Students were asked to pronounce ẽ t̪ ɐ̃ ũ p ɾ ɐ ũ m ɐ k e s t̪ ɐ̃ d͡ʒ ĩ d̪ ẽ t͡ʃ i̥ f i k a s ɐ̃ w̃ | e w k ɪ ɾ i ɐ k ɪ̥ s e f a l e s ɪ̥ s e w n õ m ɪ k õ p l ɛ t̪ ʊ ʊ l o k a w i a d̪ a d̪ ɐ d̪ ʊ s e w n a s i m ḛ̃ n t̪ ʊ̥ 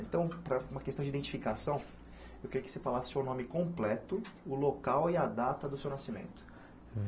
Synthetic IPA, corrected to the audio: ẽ t̪ ɐ̃ w̃ p ɾ ɐ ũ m ɐ k e s t̪ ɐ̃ d͡ʒ i d̪ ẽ t͡ʃ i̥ f i k a s ɐ̃ w̃ | e w k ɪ ɾ i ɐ k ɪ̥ s e f a l a s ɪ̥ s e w n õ m ɪ k õ p l ɛ t̪ ʊ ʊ l o k a w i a d̪ a t̪ ɐ d̪ ʊ s e w n a s i m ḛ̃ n t̪ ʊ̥